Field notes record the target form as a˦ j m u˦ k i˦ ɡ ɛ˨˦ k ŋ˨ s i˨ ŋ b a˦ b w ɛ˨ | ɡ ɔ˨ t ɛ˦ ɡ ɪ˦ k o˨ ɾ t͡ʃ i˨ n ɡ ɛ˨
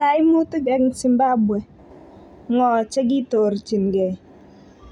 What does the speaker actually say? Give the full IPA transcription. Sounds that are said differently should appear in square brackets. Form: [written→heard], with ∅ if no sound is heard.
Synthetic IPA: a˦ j m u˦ [k→t] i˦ ɡ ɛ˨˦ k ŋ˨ s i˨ [ŋ→m] b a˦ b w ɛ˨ | [ɡ→ŋ] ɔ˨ [t→t͡ʃ] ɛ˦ ɡ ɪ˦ [k→t] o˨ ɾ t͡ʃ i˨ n ɡ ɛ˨